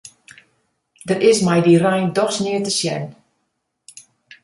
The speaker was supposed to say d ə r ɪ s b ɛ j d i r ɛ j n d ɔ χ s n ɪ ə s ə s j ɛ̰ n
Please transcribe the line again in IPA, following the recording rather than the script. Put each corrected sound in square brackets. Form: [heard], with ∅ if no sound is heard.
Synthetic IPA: d ə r ɪ s [m] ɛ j d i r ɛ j n d ɔ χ s n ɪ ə [t] ə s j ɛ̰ n